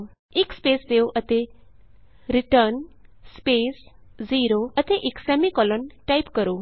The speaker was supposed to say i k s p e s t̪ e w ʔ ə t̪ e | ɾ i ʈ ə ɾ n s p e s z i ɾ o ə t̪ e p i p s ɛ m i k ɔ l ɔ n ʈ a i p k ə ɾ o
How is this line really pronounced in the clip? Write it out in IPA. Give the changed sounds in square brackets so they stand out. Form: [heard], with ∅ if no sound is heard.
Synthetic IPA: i k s p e s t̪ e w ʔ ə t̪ e | ɾ i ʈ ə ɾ n s p e s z i ɾ o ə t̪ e [ʔ] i [k] s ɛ m i k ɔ l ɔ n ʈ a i p k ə ɾ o